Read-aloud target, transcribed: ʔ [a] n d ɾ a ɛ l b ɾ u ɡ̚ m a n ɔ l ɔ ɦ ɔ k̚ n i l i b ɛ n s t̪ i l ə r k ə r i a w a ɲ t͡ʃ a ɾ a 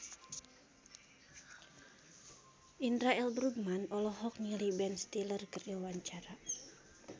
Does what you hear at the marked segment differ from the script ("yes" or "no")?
yes